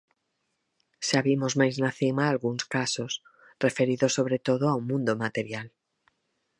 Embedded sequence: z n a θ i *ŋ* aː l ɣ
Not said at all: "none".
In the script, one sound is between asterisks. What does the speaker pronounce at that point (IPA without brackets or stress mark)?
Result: m